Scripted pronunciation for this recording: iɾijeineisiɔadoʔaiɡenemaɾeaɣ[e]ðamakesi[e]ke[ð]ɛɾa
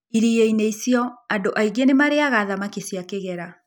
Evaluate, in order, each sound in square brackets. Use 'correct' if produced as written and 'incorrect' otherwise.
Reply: incorrect, incorrect, incorrect

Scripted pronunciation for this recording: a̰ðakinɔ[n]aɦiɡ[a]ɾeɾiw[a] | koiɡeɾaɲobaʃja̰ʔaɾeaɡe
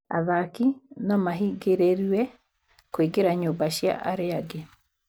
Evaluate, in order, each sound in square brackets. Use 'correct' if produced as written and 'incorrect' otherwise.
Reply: incorrect, incorrect, incorrect

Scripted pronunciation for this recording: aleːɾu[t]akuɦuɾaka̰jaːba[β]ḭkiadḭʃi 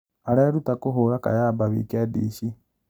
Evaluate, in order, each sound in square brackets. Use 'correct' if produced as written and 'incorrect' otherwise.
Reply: correct, correct

